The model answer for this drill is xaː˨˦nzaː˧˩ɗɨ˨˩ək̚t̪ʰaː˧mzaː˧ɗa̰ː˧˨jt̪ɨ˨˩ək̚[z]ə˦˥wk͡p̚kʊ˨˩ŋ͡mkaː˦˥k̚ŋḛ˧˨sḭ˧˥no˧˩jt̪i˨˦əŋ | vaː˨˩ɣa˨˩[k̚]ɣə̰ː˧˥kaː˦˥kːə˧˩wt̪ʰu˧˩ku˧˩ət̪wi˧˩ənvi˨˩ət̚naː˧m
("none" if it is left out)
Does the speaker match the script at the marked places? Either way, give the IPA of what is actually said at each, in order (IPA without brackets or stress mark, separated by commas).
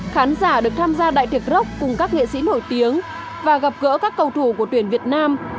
z, p̚